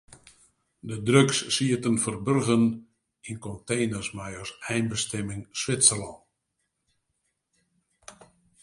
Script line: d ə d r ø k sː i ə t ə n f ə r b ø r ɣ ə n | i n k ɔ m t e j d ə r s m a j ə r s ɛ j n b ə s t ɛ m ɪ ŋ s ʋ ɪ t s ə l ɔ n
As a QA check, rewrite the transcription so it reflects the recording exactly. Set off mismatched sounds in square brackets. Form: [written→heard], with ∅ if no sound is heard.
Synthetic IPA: d ə d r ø k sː i ə t ə n f ə r b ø r ɣ ə n | i n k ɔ [m→n] t e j [d→n] ə r s m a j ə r s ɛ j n b ə s t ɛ m ɪ ŋ s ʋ ɪ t s ə l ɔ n